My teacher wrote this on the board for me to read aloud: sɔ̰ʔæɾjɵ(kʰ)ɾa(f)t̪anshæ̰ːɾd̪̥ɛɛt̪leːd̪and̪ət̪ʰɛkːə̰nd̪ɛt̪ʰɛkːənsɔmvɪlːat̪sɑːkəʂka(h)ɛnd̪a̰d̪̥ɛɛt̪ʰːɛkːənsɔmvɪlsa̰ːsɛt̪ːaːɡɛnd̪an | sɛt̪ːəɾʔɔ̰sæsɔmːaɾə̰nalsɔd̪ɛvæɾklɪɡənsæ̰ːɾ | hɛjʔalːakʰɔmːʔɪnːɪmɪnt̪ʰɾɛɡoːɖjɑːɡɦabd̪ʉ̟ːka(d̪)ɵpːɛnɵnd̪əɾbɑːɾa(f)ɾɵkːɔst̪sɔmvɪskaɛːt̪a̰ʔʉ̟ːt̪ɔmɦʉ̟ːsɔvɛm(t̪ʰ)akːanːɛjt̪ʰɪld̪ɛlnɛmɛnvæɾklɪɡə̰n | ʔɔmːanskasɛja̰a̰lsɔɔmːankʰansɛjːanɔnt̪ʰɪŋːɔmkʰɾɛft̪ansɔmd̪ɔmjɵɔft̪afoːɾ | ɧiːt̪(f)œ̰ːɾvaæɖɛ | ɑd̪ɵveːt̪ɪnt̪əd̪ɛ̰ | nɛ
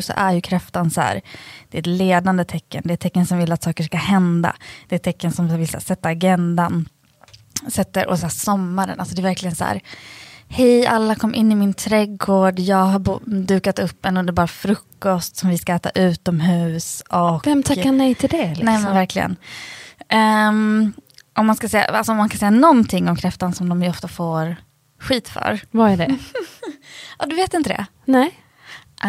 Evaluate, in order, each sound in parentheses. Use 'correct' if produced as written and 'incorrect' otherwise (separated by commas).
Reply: correct, correct, correct, incorrect, correct, correct, correct